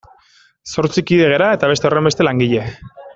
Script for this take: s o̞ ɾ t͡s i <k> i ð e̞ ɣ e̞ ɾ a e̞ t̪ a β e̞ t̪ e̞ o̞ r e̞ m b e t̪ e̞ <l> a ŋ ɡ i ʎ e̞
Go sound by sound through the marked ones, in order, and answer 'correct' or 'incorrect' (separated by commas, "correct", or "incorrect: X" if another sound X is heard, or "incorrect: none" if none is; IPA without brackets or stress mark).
correct, correct